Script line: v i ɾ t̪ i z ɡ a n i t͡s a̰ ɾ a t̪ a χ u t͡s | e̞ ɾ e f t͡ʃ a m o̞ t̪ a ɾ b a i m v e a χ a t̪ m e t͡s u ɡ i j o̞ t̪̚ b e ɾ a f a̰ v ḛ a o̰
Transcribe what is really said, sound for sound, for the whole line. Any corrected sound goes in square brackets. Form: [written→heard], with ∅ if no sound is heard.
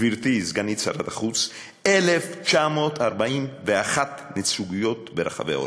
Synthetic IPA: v i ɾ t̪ i z ɡ a n i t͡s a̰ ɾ a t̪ a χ u t͡s | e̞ [ɾ→l] e f t͡ʃ a m o̞ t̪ a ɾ b a i m v e a χ a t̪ [m→n] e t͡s u ɡ i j o̞ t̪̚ b e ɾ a [f→χ] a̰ v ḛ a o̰

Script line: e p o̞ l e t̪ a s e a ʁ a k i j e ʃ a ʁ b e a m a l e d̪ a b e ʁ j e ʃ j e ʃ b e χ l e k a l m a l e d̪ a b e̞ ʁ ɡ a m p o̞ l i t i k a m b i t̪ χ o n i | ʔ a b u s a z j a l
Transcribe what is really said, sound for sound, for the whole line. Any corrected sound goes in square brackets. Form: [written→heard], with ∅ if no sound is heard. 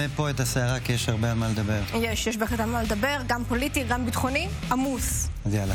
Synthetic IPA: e p o̞ [l→∅] e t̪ a s e a ʁ a k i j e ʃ a ʁ b e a m a l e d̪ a b e ʁ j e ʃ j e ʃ b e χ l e [k→t] a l m a l e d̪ a b e̞ ʁ ɡ a m p o̞ l i t i [k→ɡ] a m b i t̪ χ o n i | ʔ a [b→m] u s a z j a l

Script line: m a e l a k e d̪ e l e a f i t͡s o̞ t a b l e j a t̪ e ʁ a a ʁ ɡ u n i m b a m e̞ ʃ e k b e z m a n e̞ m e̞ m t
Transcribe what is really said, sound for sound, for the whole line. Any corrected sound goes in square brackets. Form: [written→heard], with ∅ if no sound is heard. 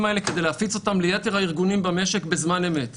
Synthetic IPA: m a e l [a→e] k e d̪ e l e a f i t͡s o̞ t a [b→m] l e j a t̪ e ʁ a [a→i] ʁ ɡ u n i m b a m e̞ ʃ e k b e z m a n e̞ m e̞ [m→∅] t

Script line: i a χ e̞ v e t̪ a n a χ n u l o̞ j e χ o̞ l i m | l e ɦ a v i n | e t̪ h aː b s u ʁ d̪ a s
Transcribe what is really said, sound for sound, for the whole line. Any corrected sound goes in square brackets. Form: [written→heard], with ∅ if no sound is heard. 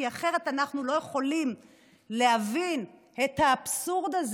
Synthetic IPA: i a χ e̞ [v→ʁ] e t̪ a n a χ n u l o̞ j e χ o̞ l i m | l e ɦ a v i n | e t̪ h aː b s u ʁ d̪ a [s→z]

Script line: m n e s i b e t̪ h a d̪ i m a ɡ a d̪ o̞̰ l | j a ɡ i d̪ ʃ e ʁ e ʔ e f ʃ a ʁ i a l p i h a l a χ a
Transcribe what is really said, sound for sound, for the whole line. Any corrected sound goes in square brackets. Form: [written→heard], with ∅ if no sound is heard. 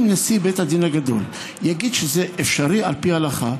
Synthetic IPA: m n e s i b e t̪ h a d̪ i [m→n] a ɡ a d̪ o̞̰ l | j a ɡ i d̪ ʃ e [ʁ→z] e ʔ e f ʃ a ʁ i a l p i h a l a χ a

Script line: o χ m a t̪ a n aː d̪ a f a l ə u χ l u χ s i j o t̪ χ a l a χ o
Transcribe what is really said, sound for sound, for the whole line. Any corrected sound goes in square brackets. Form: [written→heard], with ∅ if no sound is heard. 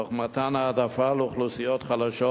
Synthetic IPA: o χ m a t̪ a n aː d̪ a f a l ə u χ l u [χ→∅] s i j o t̪ χ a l a [χ→ʃ] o

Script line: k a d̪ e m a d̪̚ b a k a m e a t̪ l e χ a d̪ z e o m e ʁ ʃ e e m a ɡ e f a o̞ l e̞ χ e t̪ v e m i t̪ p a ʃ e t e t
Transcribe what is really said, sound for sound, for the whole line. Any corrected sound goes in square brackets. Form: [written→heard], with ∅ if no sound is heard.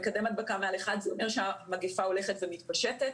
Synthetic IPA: k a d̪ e m a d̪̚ b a k a m e a [t̪→∅] l e χ a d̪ z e o m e ʁ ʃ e [e→a] m a ɡ e f a o̞ l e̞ χ e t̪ v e m i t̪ p a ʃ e t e t

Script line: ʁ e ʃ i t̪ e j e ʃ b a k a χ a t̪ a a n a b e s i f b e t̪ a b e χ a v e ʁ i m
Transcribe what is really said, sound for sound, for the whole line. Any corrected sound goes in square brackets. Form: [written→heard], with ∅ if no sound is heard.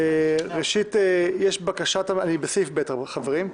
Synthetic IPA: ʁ e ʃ i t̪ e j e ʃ b a k a [χ→ʃ] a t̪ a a n [a→i] b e s i f b e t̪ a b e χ a v e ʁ i m

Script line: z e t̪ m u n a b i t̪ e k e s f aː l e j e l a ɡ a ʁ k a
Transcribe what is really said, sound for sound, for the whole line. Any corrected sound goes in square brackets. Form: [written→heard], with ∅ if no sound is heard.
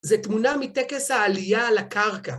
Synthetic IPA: z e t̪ m u n a [b→m] i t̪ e k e s [f→h] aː l [e→i] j [e→a] l a [ɡ→k] a ʁ k a

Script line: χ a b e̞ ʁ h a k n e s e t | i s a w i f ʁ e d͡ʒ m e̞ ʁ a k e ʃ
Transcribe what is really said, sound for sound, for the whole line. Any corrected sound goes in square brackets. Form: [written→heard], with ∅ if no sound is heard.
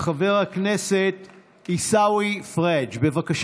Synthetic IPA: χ a [b→v] e̞ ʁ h a k n e s e t | i s a w i f ʁ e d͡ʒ [m→b] e̞ [ʁ→v] a k [e→a] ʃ

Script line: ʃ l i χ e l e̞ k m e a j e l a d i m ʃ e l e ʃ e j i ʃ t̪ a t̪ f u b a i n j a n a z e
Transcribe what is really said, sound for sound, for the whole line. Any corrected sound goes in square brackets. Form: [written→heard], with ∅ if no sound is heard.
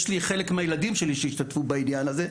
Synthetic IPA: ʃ l i χ e l e̞ k m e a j e l a d i m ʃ e l [e→i] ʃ e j i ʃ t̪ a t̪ f u b a i n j a n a z e

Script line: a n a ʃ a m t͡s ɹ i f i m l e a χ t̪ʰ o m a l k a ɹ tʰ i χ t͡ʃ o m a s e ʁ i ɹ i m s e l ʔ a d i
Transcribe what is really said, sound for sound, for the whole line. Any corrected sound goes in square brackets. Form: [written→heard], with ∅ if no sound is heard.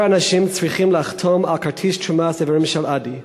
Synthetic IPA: a n a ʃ [a→i] m t͡s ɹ i [f→χ] i m l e a χ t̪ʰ o m a l k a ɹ tʰ i [χ→ʃ] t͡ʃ [o→u] m a s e [ʁ→v] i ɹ i m [s→ʃ] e l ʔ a d i

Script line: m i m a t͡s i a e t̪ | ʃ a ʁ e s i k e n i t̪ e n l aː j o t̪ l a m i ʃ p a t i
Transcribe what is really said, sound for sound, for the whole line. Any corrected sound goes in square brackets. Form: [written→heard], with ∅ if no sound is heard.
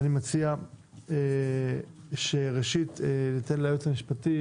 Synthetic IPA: [m→n] i m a t͡s i a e [t̪→∅] | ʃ [a→e] ʁ e [s→ʃ] i [k→t] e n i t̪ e n l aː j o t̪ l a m i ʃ p a t i

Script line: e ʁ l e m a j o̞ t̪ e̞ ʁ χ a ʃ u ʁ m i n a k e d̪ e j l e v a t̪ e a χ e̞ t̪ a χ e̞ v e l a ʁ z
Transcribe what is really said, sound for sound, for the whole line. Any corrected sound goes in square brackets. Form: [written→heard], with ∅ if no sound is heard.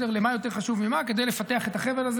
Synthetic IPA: e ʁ l e m a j o̞ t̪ e̞ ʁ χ a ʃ u [ʁ→v] m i [n→m] a k e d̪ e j l e [v→f] a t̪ e a χ e̞ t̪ a χ e̞ v e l a [ʁ→∅] z

